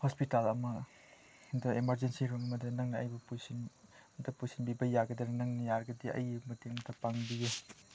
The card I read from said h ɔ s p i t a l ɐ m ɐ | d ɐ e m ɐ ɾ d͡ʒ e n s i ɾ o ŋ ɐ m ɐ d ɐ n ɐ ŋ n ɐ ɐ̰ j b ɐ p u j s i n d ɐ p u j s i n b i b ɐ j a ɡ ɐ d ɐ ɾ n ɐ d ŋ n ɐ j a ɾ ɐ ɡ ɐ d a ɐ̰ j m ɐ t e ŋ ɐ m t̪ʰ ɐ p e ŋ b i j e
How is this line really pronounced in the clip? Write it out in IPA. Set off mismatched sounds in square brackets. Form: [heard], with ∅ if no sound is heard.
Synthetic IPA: h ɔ s p i t a l ɐ m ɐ | d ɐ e m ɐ ɾ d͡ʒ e n s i ɾ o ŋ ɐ m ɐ d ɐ n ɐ ŋ n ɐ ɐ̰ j b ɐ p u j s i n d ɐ p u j s i n b i b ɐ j a ɡ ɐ d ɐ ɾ n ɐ [∅] ŋ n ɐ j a ɾ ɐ ɡ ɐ d [i] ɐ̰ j m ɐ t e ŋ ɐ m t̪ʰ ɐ p [a] ŋ b i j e